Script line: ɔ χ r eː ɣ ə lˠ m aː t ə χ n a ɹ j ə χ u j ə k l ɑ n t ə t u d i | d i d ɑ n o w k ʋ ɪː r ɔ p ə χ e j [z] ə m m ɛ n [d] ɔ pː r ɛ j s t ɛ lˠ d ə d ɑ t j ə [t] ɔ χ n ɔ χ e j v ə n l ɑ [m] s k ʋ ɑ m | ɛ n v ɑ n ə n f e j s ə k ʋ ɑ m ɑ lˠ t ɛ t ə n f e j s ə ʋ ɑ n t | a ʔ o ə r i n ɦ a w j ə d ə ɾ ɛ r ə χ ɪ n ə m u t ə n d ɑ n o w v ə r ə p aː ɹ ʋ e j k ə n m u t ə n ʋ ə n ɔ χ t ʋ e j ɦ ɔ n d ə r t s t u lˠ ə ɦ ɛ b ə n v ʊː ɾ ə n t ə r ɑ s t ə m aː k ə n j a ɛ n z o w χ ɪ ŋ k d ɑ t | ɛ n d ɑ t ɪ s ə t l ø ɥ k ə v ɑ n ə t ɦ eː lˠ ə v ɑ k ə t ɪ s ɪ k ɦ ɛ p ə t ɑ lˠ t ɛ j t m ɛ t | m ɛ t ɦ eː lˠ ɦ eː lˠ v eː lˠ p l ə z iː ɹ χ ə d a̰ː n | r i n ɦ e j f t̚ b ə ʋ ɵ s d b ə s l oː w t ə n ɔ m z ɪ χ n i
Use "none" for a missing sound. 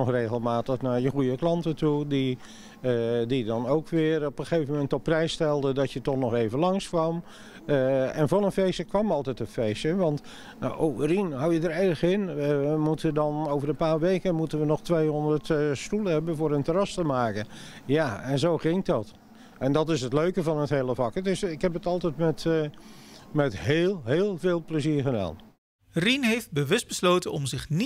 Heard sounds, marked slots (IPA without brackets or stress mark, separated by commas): v, t, t, ŋ